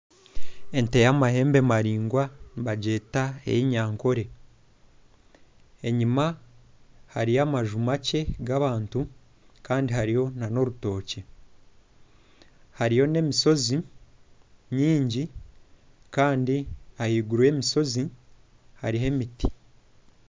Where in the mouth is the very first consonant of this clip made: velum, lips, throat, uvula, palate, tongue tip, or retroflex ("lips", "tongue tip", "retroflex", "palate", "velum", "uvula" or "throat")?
tongue tip